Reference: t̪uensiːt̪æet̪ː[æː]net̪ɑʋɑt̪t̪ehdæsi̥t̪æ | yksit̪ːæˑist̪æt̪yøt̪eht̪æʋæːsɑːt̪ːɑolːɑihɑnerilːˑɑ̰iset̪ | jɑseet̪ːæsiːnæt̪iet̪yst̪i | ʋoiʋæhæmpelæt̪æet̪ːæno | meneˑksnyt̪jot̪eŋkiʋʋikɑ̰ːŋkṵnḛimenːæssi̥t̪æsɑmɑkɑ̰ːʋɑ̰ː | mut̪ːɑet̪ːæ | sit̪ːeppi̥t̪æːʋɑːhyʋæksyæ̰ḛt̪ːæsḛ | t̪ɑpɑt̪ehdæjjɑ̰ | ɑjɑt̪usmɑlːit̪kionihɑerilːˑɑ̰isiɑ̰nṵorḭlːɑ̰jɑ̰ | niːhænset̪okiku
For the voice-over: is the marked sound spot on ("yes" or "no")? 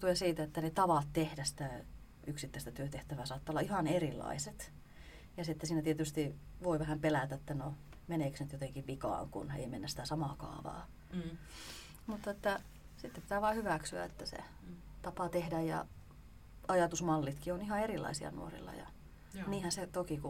no